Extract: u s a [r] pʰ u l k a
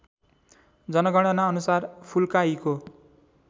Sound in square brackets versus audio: correct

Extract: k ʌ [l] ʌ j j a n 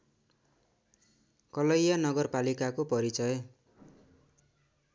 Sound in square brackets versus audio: correct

